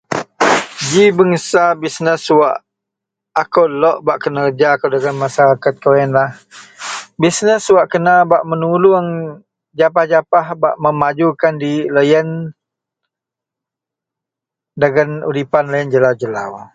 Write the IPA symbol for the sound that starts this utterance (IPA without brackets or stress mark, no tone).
d͡ʒ